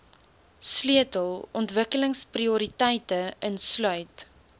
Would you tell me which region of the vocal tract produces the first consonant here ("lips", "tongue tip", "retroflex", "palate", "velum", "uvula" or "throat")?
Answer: tongue tip